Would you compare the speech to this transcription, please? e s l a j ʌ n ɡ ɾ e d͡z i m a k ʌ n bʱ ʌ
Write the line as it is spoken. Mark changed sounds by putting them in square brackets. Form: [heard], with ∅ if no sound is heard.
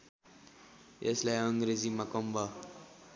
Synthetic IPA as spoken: e s l a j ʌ [ŋ] ɡ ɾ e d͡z i m a k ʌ [m] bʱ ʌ